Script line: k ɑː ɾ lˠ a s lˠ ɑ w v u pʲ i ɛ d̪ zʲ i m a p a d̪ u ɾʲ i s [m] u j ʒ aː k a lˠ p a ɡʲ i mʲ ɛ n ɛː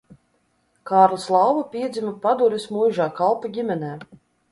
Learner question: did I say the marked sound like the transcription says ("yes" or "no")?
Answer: yes